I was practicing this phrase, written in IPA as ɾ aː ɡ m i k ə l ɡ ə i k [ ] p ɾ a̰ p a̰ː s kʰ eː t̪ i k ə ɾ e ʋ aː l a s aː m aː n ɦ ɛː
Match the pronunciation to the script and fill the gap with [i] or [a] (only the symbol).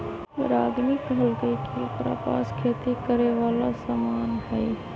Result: i